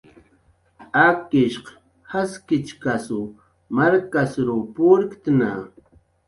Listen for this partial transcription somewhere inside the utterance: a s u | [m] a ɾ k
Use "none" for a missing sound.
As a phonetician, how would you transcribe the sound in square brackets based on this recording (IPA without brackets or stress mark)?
m